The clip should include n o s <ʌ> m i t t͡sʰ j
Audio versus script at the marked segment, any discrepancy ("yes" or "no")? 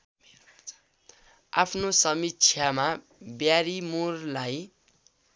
no